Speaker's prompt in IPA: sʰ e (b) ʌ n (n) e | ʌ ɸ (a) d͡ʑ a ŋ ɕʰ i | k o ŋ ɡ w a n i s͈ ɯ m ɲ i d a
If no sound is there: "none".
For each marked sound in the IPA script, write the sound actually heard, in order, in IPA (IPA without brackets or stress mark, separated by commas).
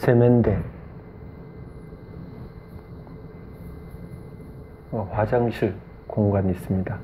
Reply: m, d, a